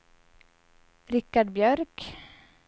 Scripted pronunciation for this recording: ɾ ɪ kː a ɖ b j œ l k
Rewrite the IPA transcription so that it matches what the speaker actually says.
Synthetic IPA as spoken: ɾ ɪ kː a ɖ b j œ ɾ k